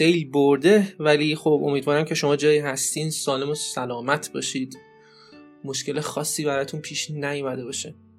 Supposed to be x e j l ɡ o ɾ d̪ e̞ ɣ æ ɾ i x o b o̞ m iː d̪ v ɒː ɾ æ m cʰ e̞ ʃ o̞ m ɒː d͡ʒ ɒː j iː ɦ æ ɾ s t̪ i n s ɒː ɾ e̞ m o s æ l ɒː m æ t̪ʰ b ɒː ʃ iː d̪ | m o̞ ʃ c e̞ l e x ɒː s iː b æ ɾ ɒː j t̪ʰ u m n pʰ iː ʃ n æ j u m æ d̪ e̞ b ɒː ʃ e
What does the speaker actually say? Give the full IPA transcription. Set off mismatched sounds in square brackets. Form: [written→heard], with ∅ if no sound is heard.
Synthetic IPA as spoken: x e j l [ɡ→b] o ɾ d̪ e̞ [ɣ→v] æ [ɾ→l] i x o b o̞ m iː d̪ v ɒː ɾ æ m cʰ e̞ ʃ o̞ m ɒː d͡ʒ ɒː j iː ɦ æ [ɾ→∅] s t̪ i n s ɒː [ɾ→l] e̞ m o s æ l ɒː m æ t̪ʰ b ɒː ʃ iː d̪ | m o̞ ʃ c e̞ l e x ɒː [s→sː] iː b æ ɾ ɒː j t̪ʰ u [m→∅] n pʰ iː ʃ n æ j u m æ d̪ e̞ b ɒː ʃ e